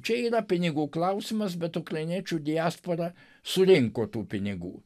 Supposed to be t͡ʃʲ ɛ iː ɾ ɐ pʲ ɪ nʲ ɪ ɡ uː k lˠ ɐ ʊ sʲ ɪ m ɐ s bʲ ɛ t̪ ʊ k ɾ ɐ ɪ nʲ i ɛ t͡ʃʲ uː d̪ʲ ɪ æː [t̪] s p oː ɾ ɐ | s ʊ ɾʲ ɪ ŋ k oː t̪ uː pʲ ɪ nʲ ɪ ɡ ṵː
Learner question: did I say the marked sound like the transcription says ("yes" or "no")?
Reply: no